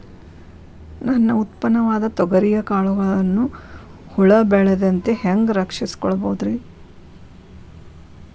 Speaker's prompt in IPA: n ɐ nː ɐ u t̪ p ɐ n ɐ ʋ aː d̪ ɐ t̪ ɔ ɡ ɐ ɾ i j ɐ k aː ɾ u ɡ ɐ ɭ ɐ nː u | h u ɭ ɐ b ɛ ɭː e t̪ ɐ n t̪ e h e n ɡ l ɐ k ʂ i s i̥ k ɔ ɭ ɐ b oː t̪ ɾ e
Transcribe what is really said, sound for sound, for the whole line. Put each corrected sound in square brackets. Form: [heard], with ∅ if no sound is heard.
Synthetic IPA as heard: n ɐ nː ɐ u t̪ p ɐ n ɐ ʋ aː d̪ ɐ t̪ ɔ ɡ ɐ ɾ i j ɐ k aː [ɭ] u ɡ ɐ ɭ ɐ nː u | h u ɭ ɐ b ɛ [ɭ] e [d̪] ɐ n t̪ e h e [ŋ] ɡ [ɾ] ɐ k ʂ i s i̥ k ɔ ɭ ɐ b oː [d̪] ɾ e